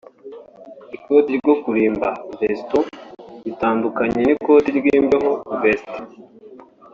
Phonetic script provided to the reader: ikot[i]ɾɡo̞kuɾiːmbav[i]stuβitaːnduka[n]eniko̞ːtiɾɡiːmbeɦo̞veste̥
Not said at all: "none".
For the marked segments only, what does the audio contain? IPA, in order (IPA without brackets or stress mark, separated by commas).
i, e, ɲ